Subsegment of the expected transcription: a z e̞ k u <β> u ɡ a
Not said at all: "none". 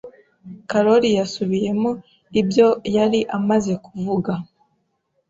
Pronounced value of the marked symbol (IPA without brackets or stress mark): v